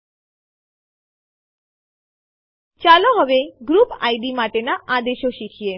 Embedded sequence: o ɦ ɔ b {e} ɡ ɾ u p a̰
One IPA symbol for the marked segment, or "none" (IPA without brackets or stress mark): e